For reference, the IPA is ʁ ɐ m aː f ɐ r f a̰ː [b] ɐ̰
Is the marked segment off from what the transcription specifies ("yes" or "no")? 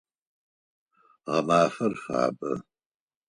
no